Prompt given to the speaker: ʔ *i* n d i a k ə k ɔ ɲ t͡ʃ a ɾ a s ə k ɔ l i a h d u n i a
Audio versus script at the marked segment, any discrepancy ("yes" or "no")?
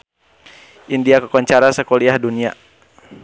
no